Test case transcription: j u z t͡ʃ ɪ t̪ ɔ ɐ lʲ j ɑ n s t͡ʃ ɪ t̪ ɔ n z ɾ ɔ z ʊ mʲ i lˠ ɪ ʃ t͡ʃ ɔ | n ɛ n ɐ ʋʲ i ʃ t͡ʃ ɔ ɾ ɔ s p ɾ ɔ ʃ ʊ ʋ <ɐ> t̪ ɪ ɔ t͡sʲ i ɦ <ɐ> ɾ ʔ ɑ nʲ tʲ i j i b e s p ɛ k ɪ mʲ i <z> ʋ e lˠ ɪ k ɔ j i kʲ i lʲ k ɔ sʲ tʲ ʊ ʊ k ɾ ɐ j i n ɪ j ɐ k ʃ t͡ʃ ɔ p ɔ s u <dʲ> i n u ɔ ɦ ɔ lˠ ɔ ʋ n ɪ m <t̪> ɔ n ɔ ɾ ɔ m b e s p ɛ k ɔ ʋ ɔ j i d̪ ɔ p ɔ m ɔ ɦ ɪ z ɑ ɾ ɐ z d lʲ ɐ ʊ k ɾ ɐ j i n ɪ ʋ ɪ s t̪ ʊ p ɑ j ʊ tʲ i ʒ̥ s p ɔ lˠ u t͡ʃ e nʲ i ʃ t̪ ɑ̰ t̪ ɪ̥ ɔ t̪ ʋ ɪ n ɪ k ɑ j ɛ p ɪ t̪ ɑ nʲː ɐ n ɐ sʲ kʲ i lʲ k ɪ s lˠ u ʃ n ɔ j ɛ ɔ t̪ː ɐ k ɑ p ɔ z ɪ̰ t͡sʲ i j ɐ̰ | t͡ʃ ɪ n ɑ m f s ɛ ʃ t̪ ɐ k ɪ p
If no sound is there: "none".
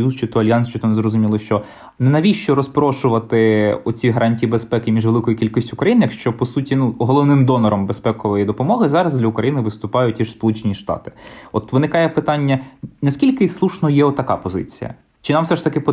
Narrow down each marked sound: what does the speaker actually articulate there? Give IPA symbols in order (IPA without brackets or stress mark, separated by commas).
ɐ, ɐ, ʒ, tʲ, d̪